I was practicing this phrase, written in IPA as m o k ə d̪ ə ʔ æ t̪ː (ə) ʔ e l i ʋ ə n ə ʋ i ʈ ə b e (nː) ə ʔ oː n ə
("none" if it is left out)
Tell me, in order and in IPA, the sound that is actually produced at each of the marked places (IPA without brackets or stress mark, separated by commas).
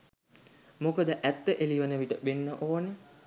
ə, nː